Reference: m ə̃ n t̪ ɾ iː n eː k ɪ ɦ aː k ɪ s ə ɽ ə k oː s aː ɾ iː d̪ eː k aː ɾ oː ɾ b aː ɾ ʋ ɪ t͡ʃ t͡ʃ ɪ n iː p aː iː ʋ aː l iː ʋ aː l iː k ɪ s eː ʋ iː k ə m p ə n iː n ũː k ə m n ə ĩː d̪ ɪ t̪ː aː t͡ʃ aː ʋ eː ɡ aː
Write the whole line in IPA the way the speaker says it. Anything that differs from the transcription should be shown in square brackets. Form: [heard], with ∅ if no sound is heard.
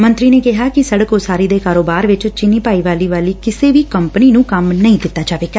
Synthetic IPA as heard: m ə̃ n t̪ ɾ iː n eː k ɪ ɦ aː k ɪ s ə ɽ ə k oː s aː ɾ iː d̪ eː k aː ɾ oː [∅] b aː ɾ ʋ ɪ t͡ʃ t͡ʃ ɪ n iː p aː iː ʋ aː l iː ʋ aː l iː k ɪ s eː ʋ iː k ə m p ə n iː n ũː k ə m n ə ĩː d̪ ɪ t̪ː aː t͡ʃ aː ʋ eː ɡ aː